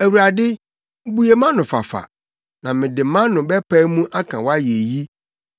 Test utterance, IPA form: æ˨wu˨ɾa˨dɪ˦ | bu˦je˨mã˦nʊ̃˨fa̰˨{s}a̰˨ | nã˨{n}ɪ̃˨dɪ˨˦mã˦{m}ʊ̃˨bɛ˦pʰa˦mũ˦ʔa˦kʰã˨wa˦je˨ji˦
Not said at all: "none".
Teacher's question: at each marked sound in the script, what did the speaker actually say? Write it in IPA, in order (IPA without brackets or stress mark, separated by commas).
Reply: f, m, n